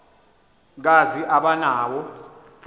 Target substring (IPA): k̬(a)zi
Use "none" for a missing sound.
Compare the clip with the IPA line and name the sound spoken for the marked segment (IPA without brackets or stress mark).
a